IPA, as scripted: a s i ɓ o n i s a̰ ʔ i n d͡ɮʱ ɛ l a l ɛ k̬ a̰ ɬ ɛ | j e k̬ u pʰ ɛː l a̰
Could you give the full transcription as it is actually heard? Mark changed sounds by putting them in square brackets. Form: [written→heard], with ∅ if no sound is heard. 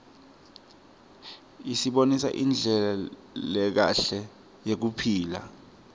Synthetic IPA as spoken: [a→i] s i ɓ o n i s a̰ ʔ i n d͡ɮʱ ɛ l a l ɛ k̬ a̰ ɬ ɛ | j e k̬ u pʰ [ɛː→iː] l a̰

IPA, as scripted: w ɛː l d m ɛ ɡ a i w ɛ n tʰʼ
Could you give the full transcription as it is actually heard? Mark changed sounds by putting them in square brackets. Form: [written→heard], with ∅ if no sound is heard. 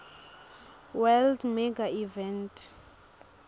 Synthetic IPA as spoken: w [ɛː→ɛ] l d m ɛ ɡ a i [w→v] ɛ n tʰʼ

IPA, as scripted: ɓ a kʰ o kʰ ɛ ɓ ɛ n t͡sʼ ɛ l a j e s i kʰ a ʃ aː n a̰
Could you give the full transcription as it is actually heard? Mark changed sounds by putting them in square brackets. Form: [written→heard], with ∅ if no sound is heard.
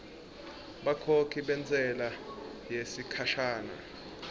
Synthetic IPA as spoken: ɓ a kʰ o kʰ [ɛ→i] ɓ ɛ n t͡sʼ ɛ l a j e s i kʰ a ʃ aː n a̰

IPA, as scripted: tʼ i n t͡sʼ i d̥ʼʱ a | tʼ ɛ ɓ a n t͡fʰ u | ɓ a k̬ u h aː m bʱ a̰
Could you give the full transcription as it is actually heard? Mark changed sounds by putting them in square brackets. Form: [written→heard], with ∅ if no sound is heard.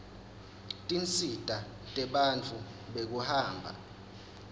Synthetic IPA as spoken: tʼ i n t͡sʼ i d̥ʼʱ a | tʼ ɛ ɓ a n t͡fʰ u | ɓ [a→e] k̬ u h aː m bʱ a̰

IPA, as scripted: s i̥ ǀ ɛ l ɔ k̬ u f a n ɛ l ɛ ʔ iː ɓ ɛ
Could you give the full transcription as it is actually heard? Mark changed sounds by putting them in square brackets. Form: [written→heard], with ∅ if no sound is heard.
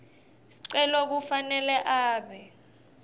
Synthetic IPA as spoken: s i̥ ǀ ɛ l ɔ k̬ u f a n ɛ l ɛ ʔ [iː→aː] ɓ ɛ

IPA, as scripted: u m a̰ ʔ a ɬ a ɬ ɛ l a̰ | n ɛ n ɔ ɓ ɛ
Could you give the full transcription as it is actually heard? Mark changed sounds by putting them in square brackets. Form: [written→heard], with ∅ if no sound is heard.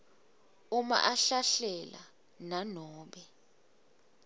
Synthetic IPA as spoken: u m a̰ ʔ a ɬ a ɬ ɛ l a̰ | n [ɛ→a] n [ɔ→ɔː] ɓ ɛ

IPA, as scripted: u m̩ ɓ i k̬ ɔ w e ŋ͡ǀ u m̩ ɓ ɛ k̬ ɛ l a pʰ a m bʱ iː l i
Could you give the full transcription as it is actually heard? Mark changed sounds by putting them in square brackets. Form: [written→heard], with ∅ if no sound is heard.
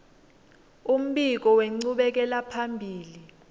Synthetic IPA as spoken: u m̩ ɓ i k̬ ɔ w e ŋ͡ǀ u [m̩→∅] ɓ ɛ k̬ ɛ l a pʰ a m bʱ iː l i

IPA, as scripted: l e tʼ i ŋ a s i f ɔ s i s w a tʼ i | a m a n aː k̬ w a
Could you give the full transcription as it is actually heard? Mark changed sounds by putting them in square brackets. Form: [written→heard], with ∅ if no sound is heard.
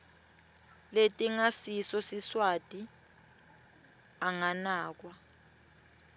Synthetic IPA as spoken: l e tʼ i ŋ a s i [f→s] ɔ s i s w a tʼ i | a [m→ŋ] a n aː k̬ w a

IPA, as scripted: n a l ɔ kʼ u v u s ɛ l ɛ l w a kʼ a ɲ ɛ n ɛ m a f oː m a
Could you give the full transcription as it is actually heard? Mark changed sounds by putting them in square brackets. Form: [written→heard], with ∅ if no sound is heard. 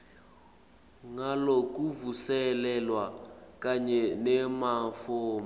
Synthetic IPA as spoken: [n→ŋ] a l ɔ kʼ u v u s ɛ l ɛ l w a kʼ a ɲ ɛ n ɛ m a f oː m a

